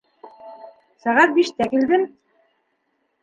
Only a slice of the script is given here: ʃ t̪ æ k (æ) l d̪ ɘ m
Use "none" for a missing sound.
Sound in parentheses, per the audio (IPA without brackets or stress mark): i